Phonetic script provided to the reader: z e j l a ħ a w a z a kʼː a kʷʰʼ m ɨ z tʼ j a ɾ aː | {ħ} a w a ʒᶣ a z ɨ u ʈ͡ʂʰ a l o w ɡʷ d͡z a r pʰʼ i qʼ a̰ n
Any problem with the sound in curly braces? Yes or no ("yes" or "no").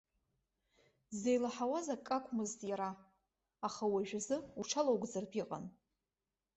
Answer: yes